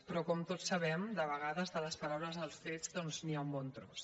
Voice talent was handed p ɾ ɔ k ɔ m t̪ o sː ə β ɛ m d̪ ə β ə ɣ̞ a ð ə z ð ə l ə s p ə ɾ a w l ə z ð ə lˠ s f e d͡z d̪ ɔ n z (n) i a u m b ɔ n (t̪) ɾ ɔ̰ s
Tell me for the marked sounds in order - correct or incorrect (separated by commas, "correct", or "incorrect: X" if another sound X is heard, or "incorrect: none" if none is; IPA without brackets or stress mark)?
correct, correct